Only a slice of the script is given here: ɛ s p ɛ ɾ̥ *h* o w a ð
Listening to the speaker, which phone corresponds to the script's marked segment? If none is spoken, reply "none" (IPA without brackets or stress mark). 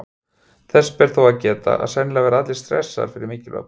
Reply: θ